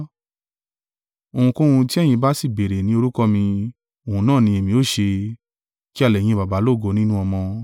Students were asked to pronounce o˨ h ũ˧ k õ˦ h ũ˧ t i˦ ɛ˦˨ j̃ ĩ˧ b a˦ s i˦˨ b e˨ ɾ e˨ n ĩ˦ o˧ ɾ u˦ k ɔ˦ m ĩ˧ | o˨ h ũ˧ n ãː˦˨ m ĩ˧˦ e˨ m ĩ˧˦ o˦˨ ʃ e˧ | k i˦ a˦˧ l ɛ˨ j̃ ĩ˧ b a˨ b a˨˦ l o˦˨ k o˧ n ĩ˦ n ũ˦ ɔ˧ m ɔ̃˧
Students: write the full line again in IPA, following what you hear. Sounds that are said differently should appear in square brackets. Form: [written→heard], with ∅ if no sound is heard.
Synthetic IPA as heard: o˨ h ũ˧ k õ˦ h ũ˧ t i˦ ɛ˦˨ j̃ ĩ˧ b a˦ s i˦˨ b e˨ ɾ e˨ n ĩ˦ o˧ ɾ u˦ k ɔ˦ m ĩ˧ | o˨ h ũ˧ n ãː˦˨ [m→n] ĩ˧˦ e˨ m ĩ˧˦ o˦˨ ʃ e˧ | k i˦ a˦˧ l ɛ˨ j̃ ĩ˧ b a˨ b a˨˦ l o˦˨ [k→ɡ] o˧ n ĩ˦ n ũ˦ ɔ˧ m ɔ̃˧

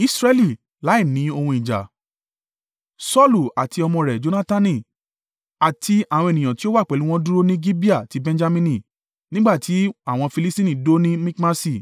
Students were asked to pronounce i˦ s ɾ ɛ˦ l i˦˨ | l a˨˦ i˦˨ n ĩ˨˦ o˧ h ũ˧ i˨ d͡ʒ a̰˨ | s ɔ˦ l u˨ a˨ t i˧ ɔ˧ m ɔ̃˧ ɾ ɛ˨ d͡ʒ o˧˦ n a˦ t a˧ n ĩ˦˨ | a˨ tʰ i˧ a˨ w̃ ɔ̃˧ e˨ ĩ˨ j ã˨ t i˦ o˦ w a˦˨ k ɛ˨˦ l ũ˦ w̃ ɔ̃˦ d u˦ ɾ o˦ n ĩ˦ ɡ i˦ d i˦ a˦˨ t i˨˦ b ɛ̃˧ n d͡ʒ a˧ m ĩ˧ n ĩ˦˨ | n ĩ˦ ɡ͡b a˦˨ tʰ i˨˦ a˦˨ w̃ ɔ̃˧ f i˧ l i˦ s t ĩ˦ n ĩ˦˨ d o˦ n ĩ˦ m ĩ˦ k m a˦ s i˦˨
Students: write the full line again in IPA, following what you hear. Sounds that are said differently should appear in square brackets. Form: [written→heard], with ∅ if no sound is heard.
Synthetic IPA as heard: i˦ s ɾ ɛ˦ l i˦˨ | l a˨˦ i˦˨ n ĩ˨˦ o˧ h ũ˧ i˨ d͡ʒ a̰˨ | s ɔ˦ l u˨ a˨ t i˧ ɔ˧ m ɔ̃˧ ɾ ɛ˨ d͡ʒ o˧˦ n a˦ t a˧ n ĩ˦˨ | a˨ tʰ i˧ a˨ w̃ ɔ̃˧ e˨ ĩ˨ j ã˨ t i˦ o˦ w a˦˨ [k→k͡p] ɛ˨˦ l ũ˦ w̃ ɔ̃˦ d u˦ ɾ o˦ n ĩ˦ ɡ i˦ [d→b] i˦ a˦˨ t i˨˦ b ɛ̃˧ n d͡ʒ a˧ m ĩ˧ n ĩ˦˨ | n ĩ˦ ɡ͡b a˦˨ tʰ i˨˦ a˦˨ w̃ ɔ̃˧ f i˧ l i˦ s t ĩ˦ n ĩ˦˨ d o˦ n ĩ˦ m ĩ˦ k m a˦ s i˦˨

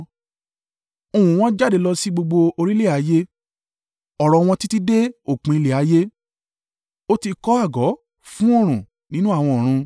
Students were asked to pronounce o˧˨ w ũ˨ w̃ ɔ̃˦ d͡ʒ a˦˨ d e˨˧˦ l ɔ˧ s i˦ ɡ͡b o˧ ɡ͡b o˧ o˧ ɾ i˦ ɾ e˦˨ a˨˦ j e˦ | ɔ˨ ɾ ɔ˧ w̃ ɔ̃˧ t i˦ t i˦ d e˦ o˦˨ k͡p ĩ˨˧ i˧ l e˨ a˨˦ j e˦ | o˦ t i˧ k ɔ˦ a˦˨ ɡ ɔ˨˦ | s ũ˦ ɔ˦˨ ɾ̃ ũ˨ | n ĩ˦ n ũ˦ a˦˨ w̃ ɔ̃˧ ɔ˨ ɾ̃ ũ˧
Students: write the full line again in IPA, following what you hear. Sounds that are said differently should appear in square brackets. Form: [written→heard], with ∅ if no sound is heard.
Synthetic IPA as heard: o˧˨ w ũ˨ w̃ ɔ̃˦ d͡ʒ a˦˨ d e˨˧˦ l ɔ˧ s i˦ ɡ͡b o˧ ɡ͡b o˧ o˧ ɾ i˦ [ɾ→l] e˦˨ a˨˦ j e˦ | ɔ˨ ɾ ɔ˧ w̃ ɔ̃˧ t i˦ t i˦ d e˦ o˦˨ k͡p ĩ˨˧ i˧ l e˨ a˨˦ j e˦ | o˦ t i˧ k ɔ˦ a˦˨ ɡ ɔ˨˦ | [s→f] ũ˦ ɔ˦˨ ɾ̃ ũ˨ | n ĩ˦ n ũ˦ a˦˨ w̃ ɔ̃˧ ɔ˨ ɾ̃ ũ˧

